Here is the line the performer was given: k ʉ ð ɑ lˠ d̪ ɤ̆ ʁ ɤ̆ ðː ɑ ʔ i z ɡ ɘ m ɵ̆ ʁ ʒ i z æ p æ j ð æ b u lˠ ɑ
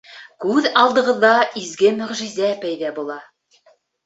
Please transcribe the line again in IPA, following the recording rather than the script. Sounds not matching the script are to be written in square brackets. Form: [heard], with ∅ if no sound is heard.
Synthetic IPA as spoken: k ʉ ð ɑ lˠ d̪ ɤ̆ ʁ ɤ̆ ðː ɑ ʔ i z ɡ ɘ m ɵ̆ ʁ ʒ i z æ p æ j ð æ b u lˠ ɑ